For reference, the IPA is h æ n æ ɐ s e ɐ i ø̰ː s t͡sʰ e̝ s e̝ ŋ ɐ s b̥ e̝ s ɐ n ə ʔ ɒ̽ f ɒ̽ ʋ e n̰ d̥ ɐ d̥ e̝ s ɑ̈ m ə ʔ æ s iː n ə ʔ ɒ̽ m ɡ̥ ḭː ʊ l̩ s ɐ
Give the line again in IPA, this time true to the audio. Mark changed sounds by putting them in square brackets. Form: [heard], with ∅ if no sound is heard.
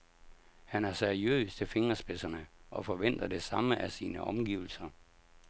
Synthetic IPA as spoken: h æ n æ ɐ s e ɐ i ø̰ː s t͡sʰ e̝ [f] e̝ ŋ ɐ s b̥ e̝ s ɐ n ə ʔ ɒ̽ f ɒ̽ ʋ e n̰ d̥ ɐ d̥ e̝ s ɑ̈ m ə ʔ æ s iː n ə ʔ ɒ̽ m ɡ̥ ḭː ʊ l̩ s ɐ